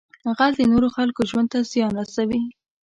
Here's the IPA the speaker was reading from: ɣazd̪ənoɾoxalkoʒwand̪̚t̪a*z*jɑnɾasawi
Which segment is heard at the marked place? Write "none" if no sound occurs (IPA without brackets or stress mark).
z